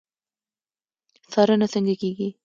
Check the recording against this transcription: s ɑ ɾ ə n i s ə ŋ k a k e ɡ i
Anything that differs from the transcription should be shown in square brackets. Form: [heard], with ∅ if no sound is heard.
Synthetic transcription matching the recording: s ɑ ɾ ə n [a] s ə ŋ [ɡ] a k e ɡ i